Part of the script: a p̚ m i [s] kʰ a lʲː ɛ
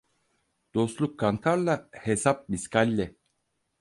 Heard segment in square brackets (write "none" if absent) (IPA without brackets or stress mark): s